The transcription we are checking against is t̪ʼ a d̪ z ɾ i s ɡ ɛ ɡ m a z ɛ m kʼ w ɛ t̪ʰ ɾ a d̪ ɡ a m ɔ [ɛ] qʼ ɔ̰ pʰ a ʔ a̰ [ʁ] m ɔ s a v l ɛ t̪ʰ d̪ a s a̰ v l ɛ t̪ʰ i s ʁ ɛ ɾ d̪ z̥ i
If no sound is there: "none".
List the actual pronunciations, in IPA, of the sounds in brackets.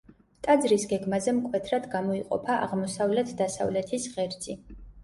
i, ʁ

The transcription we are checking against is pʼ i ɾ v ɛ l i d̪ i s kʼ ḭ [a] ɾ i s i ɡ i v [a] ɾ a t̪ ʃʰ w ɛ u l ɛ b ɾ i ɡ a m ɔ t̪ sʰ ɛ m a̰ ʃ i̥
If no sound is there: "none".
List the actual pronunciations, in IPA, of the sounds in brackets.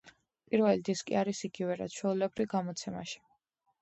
a, ɛ

